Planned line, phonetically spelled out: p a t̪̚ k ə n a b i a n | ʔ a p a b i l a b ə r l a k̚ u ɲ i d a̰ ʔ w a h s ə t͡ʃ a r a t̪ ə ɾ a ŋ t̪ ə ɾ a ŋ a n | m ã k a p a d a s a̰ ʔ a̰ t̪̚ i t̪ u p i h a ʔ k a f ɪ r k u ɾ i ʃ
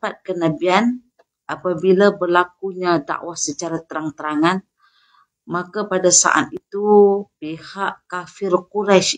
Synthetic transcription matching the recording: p a t̪̚ k ə n a b i a n | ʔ a p a b i l a b ə r l a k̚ u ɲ a d a̰ ʔ w a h s ə t͡ʃ a ɾ a t̪ ə ɾ a ŋ t̪ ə ɾ a ŋ a n | m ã k a p a d a s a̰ ʔ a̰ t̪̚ i t̪ u p i h a ʔ k a f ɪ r k u ɾ a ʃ